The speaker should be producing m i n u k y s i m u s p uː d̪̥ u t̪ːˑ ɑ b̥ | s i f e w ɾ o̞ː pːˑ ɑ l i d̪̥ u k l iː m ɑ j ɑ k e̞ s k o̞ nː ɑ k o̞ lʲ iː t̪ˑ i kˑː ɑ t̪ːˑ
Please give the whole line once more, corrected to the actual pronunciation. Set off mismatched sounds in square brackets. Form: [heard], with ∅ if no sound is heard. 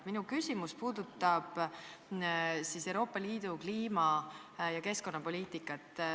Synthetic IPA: m i n u k y s i m u s p uː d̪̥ u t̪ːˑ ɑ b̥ | s i [s] e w ɾ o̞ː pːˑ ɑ l [iː] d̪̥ u k l iː m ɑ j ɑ k e̞ s k o̞ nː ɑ [p] o̞ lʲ iː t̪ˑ i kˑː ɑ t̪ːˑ